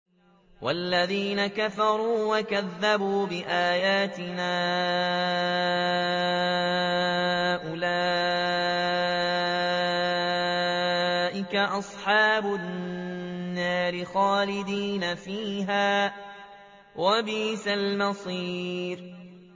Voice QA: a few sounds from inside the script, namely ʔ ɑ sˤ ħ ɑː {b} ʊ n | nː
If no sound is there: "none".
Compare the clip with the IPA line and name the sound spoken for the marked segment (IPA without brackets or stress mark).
b